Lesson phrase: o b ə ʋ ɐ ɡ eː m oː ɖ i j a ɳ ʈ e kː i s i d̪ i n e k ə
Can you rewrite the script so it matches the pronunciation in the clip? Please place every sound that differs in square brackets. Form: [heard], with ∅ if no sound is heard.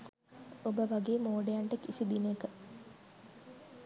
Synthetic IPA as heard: o b ə ʋ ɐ ɡ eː m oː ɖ [e] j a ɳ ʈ e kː i s i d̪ i n e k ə